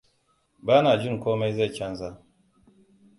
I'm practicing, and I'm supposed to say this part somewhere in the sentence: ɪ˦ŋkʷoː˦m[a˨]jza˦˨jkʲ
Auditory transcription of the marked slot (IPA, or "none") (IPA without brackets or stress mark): a˦